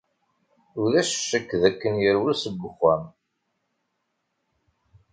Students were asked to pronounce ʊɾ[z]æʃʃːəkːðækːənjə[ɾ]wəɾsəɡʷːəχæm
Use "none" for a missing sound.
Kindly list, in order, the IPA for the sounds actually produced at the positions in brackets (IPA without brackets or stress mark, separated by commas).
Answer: ð, ɾ